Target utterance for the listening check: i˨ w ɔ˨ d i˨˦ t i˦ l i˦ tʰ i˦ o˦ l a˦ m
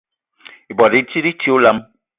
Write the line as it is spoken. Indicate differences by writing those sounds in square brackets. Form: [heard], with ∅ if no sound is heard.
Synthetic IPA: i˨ [b] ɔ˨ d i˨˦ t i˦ [ɾ] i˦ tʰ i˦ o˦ l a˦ m

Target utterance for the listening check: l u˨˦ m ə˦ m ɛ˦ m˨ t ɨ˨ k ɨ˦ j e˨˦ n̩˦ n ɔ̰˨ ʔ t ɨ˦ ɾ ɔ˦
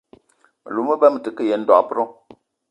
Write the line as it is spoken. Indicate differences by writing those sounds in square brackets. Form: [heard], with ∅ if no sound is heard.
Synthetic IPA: l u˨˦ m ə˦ [b] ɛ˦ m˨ t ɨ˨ k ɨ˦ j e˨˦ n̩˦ [d] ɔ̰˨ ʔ [p] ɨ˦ ɾ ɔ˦

